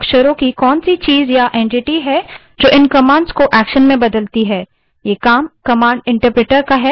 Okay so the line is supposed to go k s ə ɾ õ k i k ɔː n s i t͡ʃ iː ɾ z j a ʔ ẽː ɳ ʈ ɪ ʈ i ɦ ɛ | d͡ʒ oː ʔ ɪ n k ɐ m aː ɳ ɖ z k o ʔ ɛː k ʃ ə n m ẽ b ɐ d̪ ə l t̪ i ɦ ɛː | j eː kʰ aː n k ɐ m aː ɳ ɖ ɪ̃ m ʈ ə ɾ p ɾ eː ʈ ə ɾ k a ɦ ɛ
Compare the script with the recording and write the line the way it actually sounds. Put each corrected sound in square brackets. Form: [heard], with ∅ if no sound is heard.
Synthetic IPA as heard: k [ʃ] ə ɾ õ k i k ɔː n s i t͡ʃ iː [∅] z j a ʔ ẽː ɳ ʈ ɪ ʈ i ɦ ɛ | d͡ʒ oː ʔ ɪ n k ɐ m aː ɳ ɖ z k o ʔ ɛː k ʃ ə n m ẽ b ɐ d̪ ə l t̪ i ɦ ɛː | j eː [k] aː [m] k ɐ m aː ɳ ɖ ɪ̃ [ɳ] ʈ ə ɾ p ɾ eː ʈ ə ɾ k a ɦ ɛ